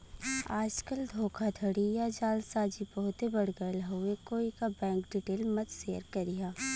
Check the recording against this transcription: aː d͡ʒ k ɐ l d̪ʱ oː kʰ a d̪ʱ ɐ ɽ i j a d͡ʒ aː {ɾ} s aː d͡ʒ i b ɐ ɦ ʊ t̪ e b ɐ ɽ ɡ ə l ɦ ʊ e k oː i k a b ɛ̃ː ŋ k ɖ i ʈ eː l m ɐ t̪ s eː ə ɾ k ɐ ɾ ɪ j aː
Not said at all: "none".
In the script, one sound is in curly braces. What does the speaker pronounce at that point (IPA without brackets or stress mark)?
l